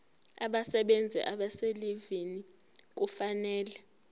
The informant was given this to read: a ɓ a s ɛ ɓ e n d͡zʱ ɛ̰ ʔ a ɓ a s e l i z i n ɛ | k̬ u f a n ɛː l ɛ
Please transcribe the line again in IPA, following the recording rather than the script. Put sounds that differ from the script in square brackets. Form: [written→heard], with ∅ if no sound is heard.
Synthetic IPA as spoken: a ɓ a s ɛ ɓ e n d͡zʱ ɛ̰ ʔ a ɓ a s e l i [z→v] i n [ɛ→i] | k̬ u f a n ɛː l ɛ